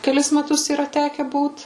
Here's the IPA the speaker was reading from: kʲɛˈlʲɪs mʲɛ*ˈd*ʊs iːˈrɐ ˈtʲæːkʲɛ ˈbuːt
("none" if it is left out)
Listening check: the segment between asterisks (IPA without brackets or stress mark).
t